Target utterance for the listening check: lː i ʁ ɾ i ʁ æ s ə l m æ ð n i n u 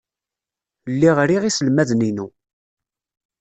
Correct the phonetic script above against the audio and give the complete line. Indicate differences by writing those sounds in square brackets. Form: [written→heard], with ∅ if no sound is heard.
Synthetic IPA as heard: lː i ʁ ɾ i ʁ [æ→i] s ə l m æ ð n i n u